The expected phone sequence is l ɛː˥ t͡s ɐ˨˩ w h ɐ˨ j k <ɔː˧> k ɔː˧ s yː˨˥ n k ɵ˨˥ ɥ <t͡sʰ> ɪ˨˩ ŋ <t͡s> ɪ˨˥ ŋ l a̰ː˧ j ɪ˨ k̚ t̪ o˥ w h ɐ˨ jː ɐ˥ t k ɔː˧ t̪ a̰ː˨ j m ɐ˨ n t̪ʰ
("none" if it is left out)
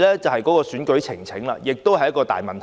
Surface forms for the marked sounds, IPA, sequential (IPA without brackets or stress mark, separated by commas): ɔː˨˥, t͡sʰ, t͡sʰ